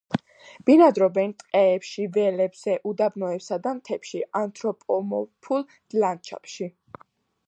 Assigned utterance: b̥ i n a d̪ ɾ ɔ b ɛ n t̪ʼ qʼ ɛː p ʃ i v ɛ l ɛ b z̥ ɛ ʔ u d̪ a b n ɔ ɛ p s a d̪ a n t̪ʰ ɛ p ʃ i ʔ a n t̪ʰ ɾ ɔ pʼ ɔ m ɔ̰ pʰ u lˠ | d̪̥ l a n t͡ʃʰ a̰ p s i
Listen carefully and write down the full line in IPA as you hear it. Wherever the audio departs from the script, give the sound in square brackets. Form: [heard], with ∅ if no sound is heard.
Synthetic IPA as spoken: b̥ i n a d̪ ɾ ɔ b ɛ n t̪ʼ qʼ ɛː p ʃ i v ɛ l ɛ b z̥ ɛ ʔ u d̪ a b n ɔ ɛ p s a d̪ a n t̪ʰ ɛ p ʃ i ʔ a n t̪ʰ ɾ ɔ pʼ ɔ m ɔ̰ pʰ u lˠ | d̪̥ l a n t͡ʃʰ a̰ p [ʃ] i